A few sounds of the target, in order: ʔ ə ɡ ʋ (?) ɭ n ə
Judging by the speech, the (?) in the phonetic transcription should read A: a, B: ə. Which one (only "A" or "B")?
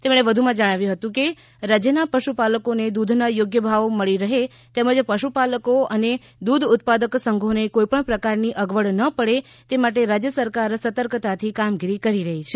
B